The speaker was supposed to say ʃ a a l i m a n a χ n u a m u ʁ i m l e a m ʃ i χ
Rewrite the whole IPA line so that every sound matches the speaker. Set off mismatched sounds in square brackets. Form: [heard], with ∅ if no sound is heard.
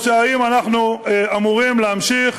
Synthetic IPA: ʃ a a [∅] i m a n a χ n u a m u ʁ i m l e a m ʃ i χ